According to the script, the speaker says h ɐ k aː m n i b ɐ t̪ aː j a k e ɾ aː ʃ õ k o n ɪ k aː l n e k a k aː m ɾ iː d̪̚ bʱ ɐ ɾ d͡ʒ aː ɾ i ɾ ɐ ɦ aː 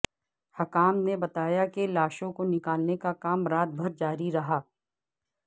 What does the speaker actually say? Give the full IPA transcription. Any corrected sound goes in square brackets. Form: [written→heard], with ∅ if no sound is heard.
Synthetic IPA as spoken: h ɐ k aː m n [i→e] b ɐ t̪ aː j a k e [ɾ→l] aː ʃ õ k o n ɪ k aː l n e k a k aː m ɾ [iː→aː] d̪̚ bʱ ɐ ɾ d͡ʒ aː ɾ i ɾ ɐ ɦ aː